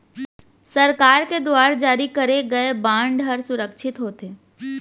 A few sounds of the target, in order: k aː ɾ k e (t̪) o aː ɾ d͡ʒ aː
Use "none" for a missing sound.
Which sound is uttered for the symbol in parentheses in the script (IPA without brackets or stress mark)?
d̪